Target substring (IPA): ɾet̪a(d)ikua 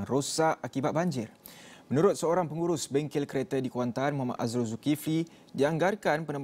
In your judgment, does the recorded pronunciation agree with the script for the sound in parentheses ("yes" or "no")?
yes